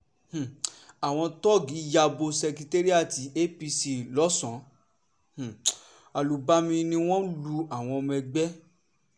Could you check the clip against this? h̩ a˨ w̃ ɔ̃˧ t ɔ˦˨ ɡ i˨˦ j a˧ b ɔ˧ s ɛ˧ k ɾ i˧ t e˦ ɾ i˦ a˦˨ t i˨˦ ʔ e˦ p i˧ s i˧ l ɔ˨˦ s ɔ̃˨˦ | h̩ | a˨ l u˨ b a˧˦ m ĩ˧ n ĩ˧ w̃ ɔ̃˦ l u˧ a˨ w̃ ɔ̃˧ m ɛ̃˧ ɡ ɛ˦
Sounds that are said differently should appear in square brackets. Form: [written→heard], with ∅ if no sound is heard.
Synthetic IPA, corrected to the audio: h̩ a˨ w̃ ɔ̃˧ t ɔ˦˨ ɡ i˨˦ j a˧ b [ɔ˧→o˧] s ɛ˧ k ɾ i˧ t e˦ ɾ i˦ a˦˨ t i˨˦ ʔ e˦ p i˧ s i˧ l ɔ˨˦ s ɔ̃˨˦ | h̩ | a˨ l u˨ b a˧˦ m ĩ˧ n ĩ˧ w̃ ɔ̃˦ l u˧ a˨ w̃ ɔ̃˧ m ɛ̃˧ [ɡ→ɡ͡b] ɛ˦